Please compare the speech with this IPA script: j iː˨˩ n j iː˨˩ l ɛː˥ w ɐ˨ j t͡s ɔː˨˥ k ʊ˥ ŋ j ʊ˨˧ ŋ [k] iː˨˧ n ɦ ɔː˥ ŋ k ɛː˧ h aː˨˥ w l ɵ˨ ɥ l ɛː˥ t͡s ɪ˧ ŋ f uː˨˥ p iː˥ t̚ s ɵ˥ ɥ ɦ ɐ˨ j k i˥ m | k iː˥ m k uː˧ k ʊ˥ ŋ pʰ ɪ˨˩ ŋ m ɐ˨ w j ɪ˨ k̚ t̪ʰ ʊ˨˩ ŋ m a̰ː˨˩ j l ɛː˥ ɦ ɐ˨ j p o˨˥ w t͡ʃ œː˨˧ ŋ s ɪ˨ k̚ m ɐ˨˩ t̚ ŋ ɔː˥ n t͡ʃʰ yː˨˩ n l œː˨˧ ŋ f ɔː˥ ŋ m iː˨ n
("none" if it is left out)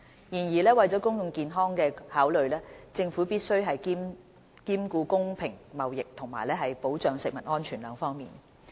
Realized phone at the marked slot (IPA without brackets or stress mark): k